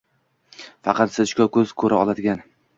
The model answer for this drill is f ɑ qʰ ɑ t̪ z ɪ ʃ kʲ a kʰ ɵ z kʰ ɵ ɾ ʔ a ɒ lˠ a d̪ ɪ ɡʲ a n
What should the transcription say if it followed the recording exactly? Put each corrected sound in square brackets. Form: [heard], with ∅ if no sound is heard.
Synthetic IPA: f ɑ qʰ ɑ t̪ [s] ɪ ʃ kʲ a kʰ ɵ z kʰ ɵ ɾ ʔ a ɒ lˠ a d̪ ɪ ɡʲ a n